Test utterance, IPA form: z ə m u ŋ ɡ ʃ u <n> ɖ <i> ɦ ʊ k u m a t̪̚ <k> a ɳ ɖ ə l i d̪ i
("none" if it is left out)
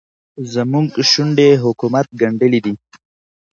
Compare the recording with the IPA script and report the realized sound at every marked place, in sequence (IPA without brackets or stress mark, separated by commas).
ɳ, e, ɡ